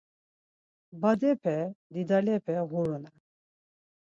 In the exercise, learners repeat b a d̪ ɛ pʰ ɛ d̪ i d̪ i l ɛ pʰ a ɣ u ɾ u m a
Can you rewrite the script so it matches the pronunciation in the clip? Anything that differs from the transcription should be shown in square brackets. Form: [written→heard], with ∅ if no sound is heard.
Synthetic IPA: b a d̪ ɛ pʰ ɛ d̪ i d̪ [i→a] l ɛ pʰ [a→ɛ] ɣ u ɾ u [m→n] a